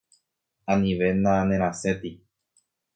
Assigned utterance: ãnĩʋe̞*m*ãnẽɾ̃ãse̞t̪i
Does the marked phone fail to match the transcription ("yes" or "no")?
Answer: yes